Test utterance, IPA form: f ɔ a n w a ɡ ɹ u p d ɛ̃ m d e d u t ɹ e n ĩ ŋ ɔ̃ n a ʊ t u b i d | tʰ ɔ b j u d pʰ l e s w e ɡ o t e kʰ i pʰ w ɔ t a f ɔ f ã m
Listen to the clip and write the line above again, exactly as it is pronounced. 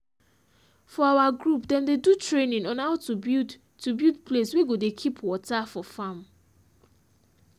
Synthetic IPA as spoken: f ɔ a w a ɡ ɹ u p d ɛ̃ m d e d u t ɹ e n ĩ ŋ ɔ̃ n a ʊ t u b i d | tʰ u b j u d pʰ l e s w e ɡ o d e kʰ i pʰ w ɔ t a f ɔ f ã m